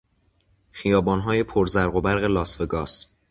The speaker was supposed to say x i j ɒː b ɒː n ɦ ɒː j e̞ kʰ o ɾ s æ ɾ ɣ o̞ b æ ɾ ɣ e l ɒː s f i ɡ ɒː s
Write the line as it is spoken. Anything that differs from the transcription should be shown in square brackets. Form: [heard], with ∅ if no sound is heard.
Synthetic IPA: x i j ɒː b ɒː n ɦ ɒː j e̞ [pʰ] o ɾ [z] æ ɾ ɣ o̞ b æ ɾ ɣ e l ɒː s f [e] ɡ ɒː s